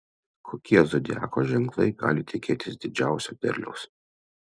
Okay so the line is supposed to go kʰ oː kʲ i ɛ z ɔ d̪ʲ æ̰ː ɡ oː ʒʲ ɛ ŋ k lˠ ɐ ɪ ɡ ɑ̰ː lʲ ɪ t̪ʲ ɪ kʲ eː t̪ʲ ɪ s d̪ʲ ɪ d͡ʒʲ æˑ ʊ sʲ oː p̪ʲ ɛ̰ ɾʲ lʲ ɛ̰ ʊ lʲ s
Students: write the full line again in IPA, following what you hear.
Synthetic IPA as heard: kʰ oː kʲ i ɛ z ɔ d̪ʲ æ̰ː k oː ʒʲ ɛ ŋ k lˠ ɐ ɪ ɡ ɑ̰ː lʲ ɪ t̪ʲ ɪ kʲ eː t̪ʲ ɪ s d̪ʲ ɪ d͡ʒʲ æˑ ʊ sʲ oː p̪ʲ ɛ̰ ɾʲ lʲ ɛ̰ ʊ s